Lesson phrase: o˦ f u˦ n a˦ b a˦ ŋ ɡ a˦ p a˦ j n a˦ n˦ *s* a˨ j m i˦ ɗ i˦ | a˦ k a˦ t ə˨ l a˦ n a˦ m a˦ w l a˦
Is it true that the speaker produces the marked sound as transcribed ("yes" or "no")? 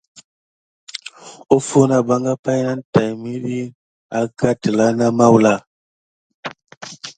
no